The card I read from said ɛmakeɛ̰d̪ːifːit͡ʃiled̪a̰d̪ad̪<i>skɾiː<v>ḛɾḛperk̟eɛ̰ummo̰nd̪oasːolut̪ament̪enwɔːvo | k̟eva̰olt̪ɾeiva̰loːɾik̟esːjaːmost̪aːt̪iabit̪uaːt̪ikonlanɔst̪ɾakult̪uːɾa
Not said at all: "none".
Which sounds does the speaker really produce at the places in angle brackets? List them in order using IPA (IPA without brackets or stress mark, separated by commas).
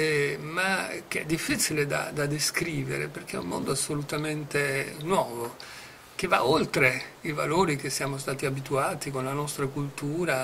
e, v